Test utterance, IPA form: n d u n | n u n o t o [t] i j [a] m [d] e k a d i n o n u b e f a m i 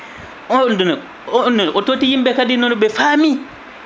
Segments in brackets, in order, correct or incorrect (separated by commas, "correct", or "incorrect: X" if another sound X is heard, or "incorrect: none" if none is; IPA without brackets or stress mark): correct, incorrect: i, incorrect: b